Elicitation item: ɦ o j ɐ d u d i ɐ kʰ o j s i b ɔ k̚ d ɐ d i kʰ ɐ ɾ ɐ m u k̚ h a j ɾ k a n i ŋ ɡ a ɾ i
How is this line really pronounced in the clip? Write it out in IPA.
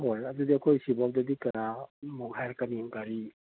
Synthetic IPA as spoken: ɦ o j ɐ d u d i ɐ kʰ o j s i b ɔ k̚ d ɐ d i k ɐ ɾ a m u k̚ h a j ɾ k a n i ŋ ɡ a ɾ i